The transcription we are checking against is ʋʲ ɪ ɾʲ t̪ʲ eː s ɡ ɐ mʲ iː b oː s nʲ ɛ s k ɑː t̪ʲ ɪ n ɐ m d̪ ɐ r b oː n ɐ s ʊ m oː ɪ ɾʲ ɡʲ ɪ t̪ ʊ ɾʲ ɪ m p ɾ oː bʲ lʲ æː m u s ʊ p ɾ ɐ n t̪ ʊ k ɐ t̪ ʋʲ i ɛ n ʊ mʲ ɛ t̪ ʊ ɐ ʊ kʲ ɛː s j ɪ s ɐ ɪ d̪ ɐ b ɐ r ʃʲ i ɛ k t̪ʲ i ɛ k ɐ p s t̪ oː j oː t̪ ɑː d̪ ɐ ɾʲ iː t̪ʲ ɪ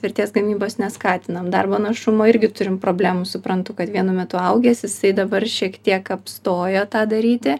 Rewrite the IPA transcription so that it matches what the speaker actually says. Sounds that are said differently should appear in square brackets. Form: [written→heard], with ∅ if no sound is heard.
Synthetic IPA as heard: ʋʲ ɪ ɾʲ t̪ʲ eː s ɡ ɐ mʲ iː b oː s nʲ ɛ s k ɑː t̪ʲ ɪ n ɐ m d̪ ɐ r b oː n ɐ [s→ʃ] ʊ m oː ɪ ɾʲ ɡʲ ɪ t̪ ʊ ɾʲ ɪ m p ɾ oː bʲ lʲ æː m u s ʊ p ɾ ɐ n t̪ ʊ k ɐ t̪ ʋʲ i ɛ n ʊ mʲ ɛ t̪ ʊ ɐ ʊ [kʲ→ɡʲ] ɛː s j ɪ s ɐ ɪ d̪ ɐ b ɐ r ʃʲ i ɛ k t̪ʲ i ɛ k ɐ p s t̪ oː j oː t̪ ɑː d̪ ɐ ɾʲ iː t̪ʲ ɪ

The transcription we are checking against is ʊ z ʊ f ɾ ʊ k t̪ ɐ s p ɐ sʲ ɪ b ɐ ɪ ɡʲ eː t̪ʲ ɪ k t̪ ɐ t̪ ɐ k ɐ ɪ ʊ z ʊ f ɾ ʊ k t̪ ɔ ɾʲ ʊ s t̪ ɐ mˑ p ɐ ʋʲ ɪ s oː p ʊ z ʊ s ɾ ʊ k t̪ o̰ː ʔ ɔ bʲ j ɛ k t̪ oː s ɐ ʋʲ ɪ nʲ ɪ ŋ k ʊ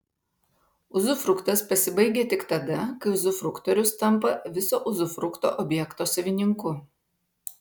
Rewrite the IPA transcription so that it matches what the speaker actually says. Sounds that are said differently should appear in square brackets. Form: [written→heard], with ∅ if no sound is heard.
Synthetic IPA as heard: ʊ z ʊ f ɾ ʊ k t̪ ɐ s p ɐ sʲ ɪ b ɐ ɪ ɡʲ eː t̪ʲ ɪ k t̪ ɐ [t̪→d̪] ɐ k ɐ ɪ ʊ z ʊ f ɾ ʊ k t̪ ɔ ɾʲ ʊ s t̪ ɐ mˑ p ɐ ʋʲ ɪ s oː [p→ʔ] ʊ z ʊ [s→f] ɾ ʊ k t̪ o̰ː ʔ ɔ bʲ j ɛ k t̪ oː s ɐ ʋʲ ɪ nʲ ɪ ŋ k ʊ

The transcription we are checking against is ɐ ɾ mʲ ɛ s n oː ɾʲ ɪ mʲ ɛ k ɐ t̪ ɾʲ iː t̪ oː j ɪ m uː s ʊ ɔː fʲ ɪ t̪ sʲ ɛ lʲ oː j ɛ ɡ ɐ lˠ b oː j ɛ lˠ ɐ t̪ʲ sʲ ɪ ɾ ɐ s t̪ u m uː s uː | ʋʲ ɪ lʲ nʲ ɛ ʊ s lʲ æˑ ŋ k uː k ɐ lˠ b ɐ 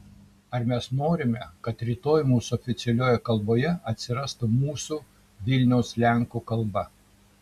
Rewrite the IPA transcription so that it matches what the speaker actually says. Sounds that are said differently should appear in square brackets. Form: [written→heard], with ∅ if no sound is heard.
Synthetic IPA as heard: ɐ ɾ mʲ ɛ s n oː ɾʲ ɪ mʲ ɛ k ɐ t̪ ɾʲ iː t̪ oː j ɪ m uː s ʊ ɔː fʲ ɪ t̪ sʲ ɛ lʲ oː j ɛ [ɡ→k] ɐ lˠ b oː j ɛ [lˠ→∅] ɐ t̪ʲ sʲ ɪ ɾ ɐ s t̪ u m uː s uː | ʋʲ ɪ lʲ nʲ ɛ ʊ s lʲ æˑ ŋ k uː k ɐ lˠ b ɐ

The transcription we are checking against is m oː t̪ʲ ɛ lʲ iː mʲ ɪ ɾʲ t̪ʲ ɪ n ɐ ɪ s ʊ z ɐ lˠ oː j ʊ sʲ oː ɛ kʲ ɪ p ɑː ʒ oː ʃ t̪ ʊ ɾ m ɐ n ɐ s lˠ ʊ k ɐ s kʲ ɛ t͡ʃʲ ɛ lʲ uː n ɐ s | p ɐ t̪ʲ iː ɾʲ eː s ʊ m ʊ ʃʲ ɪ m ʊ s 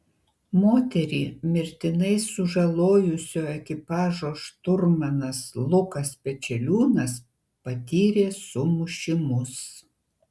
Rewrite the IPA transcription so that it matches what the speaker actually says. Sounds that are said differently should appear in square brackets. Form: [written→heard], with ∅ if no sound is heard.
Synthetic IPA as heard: m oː t̪ʲ ɛ [lʲ→ɾʲ] iː mʲ ɪ ɾʲ t̪ʲ ɪ n ɐ ɪ s ʊ [z→ʒ] ɐ lˠ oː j ʊ sʲ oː ɛ kʲ ɪ p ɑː ʒ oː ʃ t̪ ʊ ɾ m ɐ n ɐ s lˠ ʊ k ɐ s [kʲ→pʲ] ɛ t͡ʃʲ ɛ lʲ uː n ɐ s | p ɐ t̪ʲ iː ɾʲ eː s ʊ m ʊ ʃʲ ɪ m ʊ s

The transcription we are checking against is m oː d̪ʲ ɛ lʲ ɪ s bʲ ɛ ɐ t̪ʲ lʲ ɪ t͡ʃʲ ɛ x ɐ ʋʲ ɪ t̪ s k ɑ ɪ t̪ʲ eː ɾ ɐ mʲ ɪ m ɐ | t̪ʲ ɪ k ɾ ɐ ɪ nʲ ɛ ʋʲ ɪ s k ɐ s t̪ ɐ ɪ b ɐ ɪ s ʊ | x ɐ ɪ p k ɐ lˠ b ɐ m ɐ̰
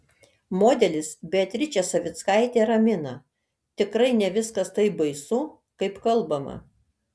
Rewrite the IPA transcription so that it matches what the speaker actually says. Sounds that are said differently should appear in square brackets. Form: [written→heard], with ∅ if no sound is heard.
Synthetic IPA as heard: m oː d̪ʲ ɛ lʲ ɪ s bʲ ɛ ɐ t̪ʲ [lʲ→ɾʲ] ɪ t͡ʃʲ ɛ [x→s] ɐ ʋʲ ɪ t̪ s k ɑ ɪ t̪ʲ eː ɾ ɐ mʲ ɪ [m→n] ɐ | t̪ʲ ɪ k ɾ ɐ ɪ nʲ ɛ ʋʲ ɪ s k ɐ s t̪ ɐ ɪ b ɐ ɪ s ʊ | [x→k] ɐ ɪ p k ɐ lˠ b ɐ m ɐ̰

